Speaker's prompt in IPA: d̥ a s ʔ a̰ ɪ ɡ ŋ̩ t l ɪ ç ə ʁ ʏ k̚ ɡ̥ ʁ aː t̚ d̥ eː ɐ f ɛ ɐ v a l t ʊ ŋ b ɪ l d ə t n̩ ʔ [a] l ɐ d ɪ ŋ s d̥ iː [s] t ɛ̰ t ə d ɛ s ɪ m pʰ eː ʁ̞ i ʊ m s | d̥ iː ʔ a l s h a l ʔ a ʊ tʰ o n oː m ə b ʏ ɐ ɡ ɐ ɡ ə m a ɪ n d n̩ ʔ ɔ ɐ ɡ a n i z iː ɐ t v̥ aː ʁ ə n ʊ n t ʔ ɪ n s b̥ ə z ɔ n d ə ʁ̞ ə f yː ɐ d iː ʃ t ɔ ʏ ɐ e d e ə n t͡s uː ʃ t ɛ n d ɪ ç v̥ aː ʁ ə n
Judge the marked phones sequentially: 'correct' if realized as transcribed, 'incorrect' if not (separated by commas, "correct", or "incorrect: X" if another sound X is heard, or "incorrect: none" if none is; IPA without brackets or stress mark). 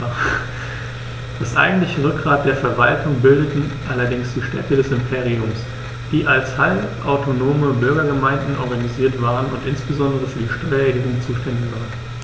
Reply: correct, incorrect: ʃ